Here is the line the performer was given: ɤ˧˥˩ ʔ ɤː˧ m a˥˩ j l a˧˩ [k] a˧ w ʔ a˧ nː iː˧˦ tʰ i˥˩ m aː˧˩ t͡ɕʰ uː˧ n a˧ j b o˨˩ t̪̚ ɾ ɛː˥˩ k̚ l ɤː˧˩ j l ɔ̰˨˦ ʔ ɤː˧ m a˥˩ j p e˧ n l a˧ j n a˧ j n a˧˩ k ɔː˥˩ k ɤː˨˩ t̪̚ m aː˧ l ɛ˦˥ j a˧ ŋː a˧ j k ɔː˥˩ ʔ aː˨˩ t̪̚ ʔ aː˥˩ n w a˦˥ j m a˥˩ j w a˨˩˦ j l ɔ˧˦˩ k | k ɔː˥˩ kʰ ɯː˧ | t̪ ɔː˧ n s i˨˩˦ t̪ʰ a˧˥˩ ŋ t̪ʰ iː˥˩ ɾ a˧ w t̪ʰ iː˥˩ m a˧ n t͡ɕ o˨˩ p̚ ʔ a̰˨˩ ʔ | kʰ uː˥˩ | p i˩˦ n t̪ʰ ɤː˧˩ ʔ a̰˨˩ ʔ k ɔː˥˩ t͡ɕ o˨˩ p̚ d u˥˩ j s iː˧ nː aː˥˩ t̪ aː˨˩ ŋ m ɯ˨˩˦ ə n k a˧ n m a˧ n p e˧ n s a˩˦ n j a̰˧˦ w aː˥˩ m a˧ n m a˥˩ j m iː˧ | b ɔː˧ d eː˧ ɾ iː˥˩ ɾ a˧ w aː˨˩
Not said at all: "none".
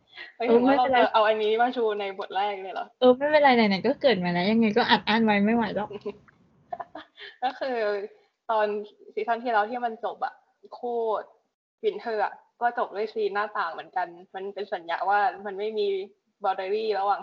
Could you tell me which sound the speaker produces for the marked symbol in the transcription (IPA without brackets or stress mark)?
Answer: ʔ